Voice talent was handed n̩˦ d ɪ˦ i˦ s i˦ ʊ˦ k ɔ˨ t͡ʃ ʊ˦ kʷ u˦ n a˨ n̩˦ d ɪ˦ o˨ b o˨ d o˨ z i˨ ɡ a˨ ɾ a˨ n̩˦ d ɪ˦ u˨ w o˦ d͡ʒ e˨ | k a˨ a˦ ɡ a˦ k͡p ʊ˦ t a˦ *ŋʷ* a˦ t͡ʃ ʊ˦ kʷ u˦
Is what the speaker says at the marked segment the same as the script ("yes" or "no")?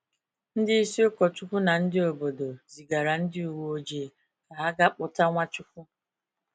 yes